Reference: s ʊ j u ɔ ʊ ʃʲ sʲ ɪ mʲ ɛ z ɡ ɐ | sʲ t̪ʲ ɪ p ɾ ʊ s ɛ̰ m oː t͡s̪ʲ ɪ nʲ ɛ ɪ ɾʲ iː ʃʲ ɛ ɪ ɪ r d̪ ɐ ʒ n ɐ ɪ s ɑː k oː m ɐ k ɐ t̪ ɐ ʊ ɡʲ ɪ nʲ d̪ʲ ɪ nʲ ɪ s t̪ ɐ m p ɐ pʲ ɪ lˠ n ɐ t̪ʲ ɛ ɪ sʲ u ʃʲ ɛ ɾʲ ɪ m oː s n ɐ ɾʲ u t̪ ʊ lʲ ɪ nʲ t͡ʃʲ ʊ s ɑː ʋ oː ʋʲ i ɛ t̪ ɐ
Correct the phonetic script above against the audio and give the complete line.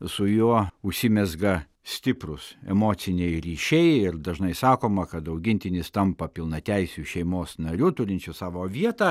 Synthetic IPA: s ʊ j u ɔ ʊ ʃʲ sʲ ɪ mʲ ɛ z ɡ ɐ | sʲ t̪ʲ ɪ p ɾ ʊ s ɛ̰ m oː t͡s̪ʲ ɪ nʲ ɛ ɪ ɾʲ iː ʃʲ ɛ ɪ ɪ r d̪ ɐ ʒ n ɐ ɪ s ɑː k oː m ɐ k ɐ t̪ ɐ ʊ ɡʲ ɪ nʲ t̪ʲ ɪ nʲ ɪ s t̪ ɐ m p ɐ pʲ ɪ lˠ n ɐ t̪ʲ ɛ ɪ sʲ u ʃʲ ɛ ɪ m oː s n ɐ ɾʲ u t̪ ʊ ɾʲ ɪ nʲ t͡ʃʲ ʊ s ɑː ʋ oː ʋʲ i ɛ t̪ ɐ